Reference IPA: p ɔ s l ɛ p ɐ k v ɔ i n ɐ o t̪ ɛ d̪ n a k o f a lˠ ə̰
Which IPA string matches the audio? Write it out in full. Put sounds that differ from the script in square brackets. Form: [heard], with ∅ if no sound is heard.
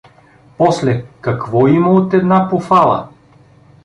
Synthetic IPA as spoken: p ɔ s l ɛ [k] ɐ k v ɔ i [m] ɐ o t̪ ɛ d̪ n a [p] o f a lˠ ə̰

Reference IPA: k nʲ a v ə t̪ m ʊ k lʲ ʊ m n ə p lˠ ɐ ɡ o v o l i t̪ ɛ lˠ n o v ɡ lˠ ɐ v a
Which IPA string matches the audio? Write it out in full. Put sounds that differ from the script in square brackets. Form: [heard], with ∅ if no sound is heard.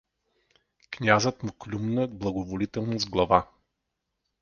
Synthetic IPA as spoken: k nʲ a [z] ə t̪ m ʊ k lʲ [u] m n ə [b] lˠ ɐ ɡ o v o l i t̪ ɛ lˠ n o [z] ɡ lˠ ɐ v a

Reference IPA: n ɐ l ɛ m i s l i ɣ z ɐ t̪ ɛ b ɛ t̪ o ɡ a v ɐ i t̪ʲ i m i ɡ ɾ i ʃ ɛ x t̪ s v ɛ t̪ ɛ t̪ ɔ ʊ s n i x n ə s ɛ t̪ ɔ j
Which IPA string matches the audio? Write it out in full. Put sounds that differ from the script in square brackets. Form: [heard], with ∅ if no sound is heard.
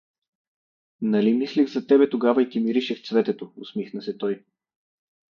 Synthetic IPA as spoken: n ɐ l [i] m i s l i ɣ z ɐ t̪ ɛ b ɛ t̪ o ɡ a v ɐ i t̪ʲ i m i [∅] ɾ i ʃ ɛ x t̪ s v ɛ t̪ ɛ t̪ [o] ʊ s [m] i x n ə s ɛ t̪ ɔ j

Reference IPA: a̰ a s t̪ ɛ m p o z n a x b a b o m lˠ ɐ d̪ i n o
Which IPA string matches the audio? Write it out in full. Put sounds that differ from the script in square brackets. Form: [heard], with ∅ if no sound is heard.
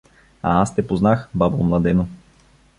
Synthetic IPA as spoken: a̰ a s t̪ ɛ [∅] p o z n a x b a b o m lˠ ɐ d̪ [ɛ] n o

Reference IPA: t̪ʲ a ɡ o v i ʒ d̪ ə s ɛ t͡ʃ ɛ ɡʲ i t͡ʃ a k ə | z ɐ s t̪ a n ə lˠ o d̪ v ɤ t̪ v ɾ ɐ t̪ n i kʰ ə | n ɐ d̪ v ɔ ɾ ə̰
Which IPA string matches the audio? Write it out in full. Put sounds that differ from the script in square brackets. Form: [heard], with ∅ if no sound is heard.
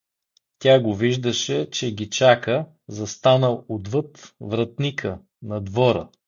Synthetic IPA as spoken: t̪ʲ a ɡ o v i ʒ d̪ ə [ʃ] ɛ t͡ʃ ɛ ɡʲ i t͡ʃ a k ə | z ɐ s t̪ a n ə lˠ o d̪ v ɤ t̪ v ɾ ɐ t̪ n i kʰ ə | n ɐ d̪ v ɔ ɾ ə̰

